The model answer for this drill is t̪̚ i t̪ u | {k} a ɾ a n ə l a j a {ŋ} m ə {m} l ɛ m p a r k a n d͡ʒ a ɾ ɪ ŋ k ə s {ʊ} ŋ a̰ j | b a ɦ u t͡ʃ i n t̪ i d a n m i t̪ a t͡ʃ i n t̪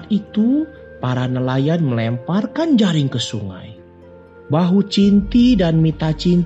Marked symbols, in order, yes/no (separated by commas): no, no, no, no